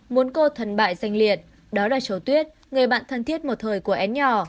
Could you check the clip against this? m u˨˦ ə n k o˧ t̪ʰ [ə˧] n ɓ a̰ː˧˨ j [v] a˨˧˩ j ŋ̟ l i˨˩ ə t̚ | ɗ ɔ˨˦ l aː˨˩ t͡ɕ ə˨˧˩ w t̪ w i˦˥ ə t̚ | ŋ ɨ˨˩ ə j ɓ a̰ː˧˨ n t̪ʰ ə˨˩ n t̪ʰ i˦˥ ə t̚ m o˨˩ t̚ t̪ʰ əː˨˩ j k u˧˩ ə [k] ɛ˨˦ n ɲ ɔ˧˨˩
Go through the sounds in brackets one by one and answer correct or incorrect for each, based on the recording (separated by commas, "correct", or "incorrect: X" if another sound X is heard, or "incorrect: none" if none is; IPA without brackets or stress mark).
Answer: incorrect: ə˨˩, incorrect: z, incorrect: ʔ